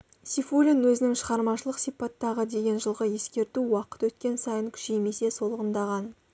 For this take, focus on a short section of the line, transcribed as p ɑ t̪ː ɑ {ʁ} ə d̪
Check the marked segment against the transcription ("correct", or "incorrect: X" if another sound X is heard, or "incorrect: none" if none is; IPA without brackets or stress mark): correct